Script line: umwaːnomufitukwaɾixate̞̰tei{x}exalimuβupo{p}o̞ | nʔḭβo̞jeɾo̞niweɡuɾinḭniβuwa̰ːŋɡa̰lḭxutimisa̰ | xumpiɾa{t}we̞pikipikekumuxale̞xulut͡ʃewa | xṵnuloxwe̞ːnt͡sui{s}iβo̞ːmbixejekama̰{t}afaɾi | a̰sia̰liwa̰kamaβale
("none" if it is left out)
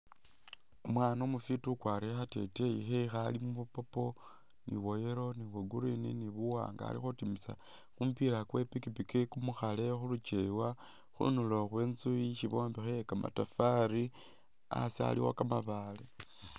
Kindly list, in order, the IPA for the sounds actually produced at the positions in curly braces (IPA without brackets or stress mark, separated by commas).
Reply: x, p, k, ʃ, t